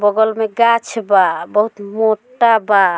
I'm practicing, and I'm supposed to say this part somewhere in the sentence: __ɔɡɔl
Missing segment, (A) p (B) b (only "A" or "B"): B